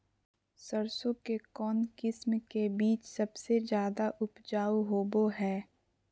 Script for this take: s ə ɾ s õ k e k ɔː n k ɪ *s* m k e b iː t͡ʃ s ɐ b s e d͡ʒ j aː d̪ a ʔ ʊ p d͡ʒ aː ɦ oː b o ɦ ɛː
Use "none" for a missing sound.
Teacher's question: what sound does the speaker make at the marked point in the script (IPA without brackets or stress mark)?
s